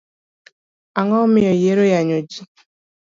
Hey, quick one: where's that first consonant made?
velum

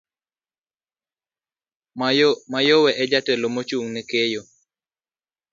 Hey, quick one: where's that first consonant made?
lips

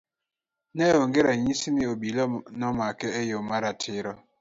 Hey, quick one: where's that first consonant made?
tongue tip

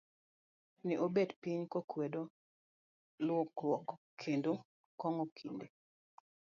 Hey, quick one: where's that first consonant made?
tongue tip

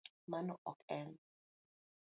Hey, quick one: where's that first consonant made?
lips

